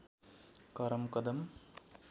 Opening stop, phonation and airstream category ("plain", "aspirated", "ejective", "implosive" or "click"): plain